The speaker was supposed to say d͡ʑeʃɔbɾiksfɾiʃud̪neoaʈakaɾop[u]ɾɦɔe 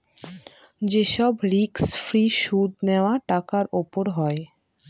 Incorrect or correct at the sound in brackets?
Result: incorrect: o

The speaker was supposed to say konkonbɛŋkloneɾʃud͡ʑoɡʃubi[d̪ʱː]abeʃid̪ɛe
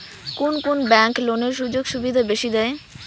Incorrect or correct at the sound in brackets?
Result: incorrect: d̪ʱ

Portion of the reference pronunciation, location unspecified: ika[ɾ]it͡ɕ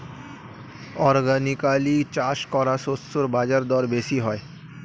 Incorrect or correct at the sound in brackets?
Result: incorrect: l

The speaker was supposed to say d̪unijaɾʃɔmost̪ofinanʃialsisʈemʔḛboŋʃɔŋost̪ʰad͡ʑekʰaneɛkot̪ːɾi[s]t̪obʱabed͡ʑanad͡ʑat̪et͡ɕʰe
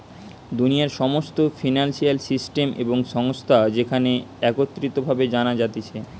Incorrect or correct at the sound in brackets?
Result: incorrect: none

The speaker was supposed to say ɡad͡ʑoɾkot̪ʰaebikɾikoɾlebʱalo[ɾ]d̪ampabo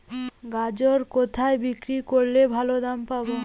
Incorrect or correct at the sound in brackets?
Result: incorrect: none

